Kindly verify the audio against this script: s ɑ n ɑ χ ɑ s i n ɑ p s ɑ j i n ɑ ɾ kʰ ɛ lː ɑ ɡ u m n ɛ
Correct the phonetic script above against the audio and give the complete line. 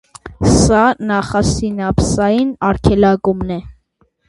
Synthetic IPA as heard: s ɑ n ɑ χ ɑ s i n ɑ p s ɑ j i n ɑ ɾ kʰ ɛ l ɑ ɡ u m n ɛ